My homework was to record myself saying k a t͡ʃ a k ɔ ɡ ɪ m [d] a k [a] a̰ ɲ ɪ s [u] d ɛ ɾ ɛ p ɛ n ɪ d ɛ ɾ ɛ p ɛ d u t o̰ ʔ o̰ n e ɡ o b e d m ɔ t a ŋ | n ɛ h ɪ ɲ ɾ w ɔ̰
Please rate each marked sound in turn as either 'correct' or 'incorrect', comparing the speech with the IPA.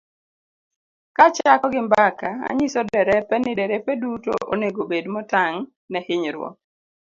incorrect: b, correct, incorrect: ɔ

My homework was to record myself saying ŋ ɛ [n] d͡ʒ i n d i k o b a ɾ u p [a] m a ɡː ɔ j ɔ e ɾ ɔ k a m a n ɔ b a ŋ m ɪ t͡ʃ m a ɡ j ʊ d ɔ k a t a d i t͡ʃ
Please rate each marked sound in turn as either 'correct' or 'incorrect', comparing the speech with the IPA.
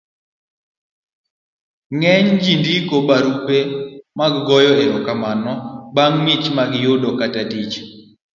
incorrect: ɲ, incorrect: e

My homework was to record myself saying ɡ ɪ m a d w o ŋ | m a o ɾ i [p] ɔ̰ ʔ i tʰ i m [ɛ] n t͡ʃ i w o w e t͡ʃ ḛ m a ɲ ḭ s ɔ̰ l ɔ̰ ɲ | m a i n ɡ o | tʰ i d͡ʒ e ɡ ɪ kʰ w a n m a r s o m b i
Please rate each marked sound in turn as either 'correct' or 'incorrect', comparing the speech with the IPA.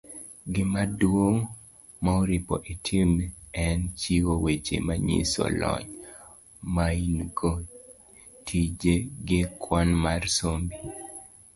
correct, correct

